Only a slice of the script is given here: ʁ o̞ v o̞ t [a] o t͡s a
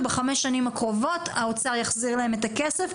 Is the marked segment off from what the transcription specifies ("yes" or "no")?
no